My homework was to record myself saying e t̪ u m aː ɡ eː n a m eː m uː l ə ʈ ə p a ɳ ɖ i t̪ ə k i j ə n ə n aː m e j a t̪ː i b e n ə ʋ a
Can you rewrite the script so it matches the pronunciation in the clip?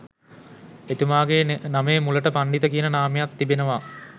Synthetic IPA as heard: e t̪ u m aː ɡ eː n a m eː m u l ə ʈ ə p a ɳ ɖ i t̪ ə k i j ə n ə n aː m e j a t̪ː i b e n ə ʋ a

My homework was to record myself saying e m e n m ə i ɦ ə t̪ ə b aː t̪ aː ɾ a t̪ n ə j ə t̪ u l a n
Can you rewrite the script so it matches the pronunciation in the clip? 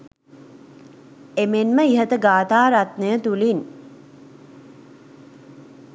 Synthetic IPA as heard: e m e n m ə i ɦ ə t̪ ə ɡ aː t̪ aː ɾ a t̪ n ə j ə t̪ u l i n

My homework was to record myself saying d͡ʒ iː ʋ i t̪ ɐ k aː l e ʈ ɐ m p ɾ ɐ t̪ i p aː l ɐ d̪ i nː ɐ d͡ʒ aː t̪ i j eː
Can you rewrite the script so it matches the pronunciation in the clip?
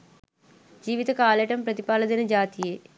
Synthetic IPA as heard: d͡ʒ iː ʋ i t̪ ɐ k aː l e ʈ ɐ m p ɾ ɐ t̪ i p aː l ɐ d̪ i n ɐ d͡ʒ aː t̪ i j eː

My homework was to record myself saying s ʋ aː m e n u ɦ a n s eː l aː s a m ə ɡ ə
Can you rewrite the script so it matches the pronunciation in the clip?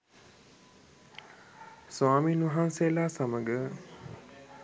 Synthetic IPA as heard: s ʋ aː m i n u ɦ a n s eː l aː s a m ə ɡ ə

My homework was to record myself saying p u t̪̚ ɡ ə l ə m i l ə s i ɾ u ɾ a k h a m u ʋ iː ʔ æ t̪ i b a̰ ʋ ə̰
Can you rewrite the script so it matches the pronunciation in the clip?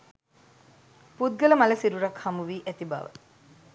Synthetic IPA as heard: p u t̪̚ ɡ ə l ə m a l ə s i ɾ u ɾ a k h a m u ʋ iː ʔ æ t̪ i b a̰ ʋ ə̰

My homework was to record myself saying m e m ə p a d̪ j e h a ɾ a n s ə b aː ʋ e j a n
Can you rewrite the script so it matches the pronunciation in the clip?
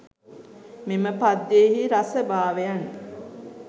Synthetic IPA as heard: m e m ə p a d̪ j e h i ɾ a s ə b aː ʋ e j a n

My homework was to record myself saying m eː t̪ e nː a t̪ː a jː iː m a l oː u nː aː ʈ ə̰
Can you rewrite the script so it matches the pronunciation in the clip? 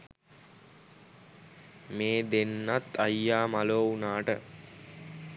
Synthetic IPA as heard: m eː d̪ e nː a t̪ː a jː aː m a l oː u n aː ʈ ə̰

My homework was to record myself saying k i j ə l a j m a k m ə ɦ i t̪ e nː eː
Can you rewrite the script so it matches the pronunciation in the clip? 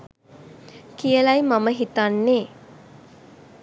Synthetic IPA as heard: k i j ə l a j m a m ə ɦ i t̪ a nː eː

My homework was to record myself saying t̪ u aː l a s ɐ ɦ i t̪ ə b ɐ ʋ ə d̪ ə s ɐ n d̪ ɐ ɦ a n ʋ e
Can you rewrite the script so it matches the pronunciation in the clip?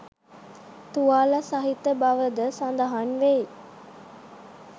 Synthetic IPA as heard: t̪ u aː l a s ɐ ɦ i t̪ ə b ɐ ʋ ə d̪ ə s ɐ n d̪ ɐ ɦ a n ʋ e

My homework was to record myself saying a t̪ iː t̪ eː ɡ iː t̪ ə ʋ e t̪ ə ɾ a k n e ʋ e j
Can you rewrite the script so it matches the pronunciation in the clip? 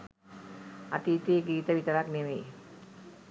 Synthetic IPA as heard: a t̪ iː t̪ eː ɡ iː t̪ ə ʋ i t̪ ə ɾ a k n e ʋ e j

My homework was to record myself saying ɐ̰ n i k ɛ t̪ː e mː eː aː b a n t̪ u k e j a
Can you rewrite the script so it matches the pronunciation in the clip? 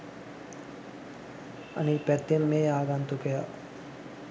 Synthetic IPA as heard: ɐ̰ n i p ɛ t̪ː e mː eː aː ɡ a n t̪ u k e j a

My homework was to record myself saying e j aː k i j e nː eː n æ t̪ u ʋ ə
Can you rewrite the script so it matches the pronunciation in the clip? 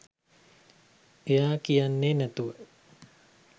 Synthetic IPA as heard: e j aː k i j a nː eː n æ t̪ u ʋ ə

